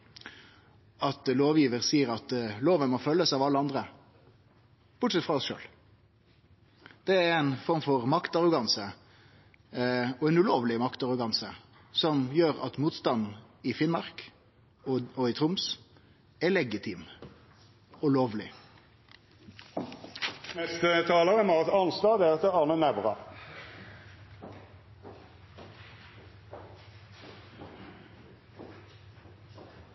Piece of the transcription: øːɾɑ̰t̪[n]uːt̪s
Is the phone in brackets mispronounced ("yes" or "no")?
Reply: yes